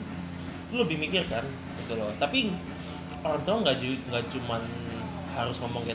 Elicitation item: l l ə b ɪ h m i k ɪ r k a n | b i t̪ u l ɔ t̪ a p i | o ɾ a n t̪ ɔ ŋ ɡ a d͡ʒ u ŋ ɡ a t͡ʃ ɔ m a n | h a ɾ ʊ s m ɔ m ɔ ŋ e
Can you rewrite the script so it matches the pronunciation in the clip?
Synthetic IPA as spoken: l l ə b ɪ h m i k ɪ r k a n | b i t̪ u l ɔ t̪ a p i | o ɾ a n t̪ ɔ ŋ ɡ a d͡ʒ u ŋ ɡ a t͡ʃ u m a n | h a ɾ ʊ s ŋ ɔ m ɔ ŋ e